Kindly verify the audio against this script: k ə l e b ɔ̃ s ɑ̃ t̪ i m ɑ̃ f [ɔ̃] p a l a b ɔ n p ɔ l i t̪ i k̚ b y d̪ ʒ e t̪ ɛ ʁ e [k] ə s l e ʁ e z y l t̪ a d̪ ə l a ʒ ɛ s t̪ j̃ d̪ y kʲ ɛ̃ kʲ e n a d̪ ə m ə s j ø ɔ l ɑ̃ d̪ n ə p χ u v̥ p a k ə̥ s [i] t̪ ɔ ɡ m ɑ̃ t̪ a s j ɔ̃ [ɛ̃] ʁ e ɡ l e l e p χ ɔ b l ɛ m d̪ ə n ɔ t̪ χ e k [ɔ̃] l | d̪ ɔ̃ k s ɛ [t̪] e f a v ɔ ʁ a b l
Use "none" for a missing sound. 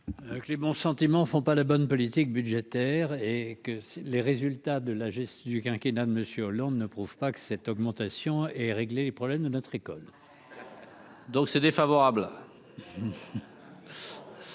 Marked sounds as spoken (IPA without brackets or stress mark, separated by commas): ɔ̃, k, ɛ, ɛ, ɔ, d̪